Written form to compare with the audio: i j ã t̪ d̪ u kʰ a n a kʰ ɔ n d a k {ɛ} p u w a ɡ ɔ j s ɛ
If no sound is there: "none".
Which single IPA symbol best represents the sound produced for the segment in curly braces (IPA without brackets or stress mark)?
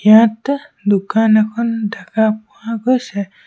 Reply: a